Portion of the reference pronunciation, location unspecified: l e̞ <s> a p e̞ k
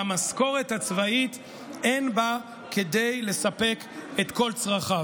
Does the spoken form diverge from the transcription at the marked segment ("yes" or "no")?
no